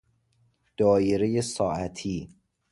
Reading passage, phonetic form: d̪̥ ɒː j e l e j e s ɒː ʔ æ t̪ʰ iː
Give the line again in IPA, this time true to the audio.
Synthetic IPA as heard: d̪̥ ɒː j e ɾ e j e s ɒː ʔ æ t̪ʰ iː